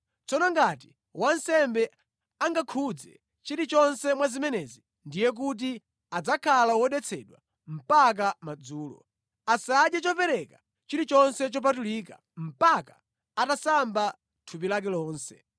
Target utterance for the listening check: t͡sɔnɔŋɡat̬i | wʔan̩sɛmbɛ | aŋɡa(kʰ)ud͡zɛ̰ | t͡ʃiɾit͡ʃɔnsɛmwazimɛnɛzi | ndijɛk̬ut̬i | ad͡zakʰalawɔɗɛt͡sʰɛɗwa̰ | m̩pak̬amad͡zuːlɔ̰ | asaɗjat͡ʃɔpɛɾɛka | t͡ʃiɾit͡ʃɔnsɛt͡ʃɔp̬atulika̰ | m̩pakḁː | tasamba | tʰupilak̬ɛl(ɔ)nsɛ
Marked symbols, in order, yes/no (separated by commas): yes, no